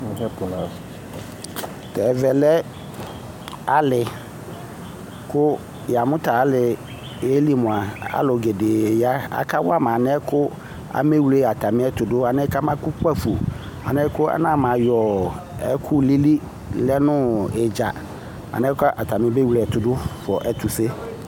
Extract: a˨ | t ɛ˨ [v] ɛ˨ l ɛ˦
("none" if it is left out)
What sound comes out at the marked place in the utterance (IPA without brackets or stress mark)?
v